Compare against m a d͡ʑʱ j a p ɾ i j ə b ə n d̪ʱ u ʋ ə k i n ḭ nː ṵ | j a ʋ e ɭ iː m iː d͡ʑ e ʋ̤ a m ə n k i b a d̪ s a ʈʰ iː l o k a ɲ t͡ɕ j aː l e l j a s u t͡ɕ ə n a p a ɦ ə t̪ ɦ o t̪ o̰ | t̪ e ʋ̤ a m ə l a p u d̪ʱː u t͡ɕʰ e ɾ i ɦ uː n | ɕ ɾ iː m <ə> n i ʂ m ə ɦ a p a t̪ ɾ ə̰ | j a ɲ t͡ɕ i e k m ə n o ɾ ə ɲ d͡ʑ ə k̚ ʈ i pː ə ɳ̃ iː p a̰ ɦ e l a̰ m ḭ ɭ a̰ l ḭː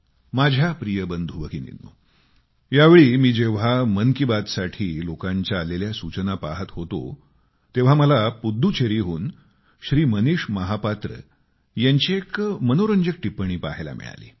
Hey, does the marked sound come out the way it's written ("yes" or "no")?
yes